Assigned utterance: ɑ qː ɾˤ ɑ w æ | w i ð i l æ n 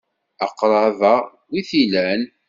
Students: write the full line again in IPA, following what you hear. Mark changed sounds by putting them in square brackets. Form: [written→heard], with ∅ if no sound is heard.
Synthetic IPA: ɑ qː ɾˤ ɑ [w→v] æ | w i [ð→θ] i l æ n